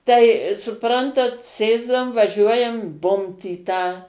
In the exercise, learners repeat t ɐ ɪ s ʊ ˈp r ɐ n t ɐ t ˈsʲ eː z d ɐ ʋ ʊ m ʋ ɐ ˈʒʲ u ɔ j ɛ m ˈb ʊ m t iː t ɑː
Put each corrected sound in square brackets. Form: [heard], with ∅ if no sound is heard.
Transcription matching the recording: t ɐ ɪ s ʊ ˈp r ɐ n t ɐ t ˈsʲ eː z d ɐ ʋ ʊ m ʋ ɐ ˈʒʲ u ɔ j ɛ m ˈb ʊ m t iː t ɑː